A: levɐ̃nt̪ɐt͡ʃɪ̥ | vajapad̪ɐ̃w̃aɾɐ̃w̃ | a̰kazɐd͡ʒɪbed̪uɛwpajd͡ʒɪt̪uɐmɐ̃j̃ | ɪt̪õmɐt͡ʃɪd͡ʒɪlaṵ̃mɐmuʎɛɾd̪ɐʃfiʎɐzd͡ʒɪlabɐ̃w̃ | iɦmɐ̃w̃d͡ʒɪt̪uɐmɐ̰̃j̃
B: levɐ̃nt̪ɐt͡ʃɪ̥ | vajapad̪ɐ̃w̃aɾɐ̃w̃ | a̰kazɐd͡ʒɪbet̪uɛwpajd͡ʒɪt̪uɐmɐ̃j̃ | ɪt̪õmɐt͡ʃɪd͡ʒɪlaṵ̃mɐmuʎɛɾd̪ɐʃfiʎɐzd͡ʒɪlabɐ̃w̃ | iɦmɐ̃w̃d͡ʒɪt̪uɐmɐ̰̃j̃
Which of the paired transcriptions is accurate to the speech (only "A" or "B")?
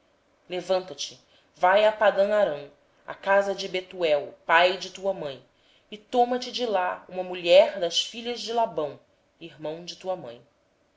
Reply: B